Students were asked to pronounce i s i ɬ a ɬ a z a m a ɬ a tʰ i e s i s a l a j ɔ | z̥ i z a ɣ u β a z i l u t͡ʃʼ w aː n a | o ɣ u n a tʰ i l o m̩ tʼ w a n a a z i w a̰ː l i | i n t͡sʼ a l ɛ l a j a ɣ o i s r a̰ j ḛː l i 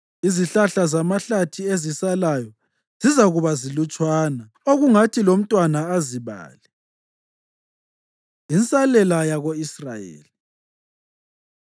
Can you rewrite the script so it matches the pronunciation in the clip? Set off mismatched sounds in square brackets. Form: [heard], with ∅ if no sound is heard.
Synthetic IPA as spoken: i [z] i ɬ a ɬ a z a m a ɬ a tʰ i e [z] i s a l a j ɔ | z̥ i z a ɣ u β a z i l u t͡ʃʼ w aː n a | o ɣ u [ŋ] a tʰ i l o m̩ tʼ w a n a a z i [β] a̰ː l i | i n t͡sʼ a l ɛ l a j a ɣ o i s r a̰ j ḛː l i

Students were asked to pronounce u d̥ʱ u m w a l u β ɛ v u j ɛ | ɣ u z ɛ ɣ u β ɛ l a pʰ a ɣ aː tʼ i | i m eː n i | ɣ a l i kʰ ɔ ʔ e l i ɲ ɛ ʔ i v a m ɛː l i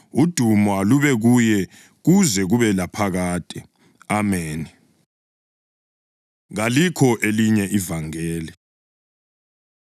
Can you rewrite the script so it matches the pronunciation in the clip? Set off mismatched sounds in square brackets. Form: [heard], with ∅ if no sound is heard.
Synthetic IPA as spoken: u d̥ʱ u m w a l u β ɛ [ɣ] u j ɛ | ɣ u z ɛ ɣ u β ɛ l a pʰ a ɣ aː tʼ i | [a] m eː n i | ɣ a l i kʰ ɔ ʔ e l i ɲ ɛ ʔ i v a [ŋ] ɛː l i

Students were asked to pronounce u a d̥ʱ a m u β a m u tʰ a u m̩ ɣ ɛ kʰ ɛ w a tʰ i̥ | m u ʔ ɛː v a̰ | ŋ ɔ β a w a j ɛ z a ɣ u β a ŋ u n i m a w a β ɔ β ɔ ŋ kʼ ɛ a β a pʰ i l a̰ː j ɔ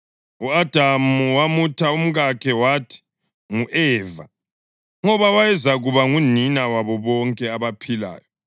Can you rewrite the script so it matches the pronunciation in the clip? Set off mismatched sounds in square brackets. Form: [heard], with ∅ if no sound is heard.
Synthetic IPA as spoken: u a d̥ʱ a m u [w] a m u tʰ a u m̩ ɣ [a] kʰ ɛ w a tʰ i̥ | [ŋ] u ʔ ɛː v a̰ | ŋ ɔ β a w a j ɛ z a ɣ u β a ŋ u n i [n] a w a β ɔ β ɔ ŋ kʼ ɛ a β a pʰ i l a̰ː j ɔ

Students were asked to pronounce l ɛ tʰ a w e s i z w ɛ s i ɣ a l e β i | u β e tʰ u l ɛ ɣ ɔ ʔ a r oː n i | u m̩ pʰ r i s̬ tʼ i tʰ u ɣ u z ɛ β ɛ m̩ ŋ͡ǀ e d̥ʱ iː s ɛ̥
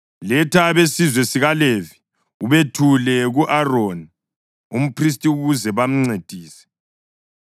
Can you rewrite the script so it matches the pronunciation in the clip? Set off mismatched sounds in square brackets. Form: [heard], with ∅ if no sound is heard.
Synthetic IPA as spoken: l ɛ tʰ a [β] e s i z w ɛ s i ɣ a l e [v] i | u β e tʰ u l ɛ ɣ [u] ʔ a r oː n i | u m̩ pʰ r i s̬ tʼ i [∅] u ɣ u z ɛ β [a] m̩ ŋ͡ǀ e d̥ʱ iː s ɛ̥

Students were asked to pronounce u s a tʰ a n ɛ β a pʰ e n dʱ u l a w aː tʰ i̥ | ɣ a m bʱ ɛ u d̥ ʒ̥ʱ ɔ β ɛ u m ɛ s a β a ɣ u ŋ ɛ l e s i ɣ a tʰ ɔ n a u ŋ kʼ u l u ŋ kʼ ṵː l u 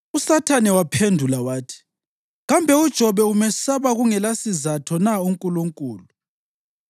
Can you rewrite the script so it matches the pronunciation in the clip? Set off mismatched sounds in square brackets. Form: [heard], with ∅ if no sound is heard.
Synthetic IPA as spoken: u s a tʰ a n ɛ [w] a pʰ e n dʱ u l a w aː tʰ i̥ | ɣ a m bʱ ɛ u d̥ ʒ̥ʱ ɔ β ɛ u m ɛ s a β a ɣ u ŋ ɛ l [a] s i [z] a tʰ ɔ n a u ŋ kʼ u l u ŋ kʼ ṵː l u

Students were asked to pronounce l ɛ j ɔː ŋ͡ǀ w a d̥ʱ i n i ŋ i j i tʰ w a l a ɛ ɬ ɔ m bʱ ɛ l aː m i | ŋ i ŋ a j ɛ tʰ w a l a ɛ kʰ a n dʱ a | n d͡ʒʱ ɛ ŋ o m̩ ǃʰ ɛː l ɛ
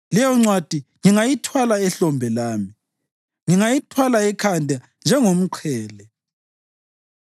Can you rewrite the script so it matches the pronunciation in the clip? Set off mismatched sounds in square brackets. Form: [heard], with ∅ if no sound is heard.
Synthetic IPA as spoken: l ɛ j [ɔ] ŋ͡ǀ w a d̥ʱ i [ŋ] i ŋ [a] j i tʰ w a l a ɛ ɬ ɔ m bʱ ɛ l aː m i | ŋ i ŋ a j [i] tʰ w a l a ɛ kʰ a n dʱ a | n d͡ʒʱ ɛ ŋ o m̩ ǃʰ ɛː l ɛ

